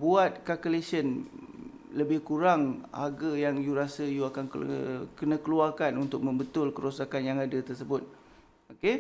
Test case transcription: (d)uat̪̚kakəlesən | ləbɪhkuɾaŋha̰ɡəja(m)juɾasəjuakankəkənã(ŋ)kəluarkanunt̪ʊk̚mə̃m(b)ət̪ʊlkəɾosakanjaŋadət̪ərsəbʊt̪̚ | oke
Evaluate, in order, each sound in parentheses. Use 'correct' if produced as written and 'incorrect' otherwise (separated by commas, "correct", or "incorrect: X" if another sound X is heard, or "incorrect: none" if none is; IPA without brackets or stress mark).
incorrect: b, incorrect: ŋ, incorrect: none, correct